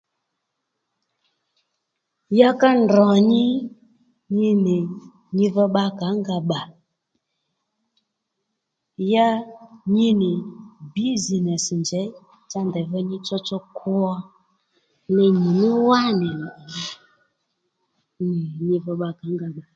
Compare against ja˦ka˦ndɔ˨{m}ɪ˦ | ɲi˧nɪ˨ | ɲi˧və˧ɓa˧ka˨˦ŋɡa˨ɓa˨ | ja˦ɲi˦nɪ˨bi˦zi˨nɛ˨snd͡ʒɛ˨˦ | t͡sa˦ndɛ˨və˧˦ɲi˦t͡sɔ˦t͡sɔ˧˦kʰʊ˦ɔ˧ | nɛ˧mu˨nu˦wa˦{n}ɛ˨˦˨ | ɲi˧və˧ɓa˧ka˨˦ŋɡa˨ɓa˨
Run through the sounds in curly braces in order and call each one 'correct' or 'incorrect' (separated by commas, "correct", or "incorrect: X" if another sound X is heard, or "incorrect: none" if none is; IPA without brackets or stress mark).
incorrect: ɲ, correct